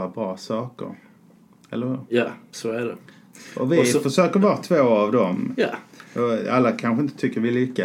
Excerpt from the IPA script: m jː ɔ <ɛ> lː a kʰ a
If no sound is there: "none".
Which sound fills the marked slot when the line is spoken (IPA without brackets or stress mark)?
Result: a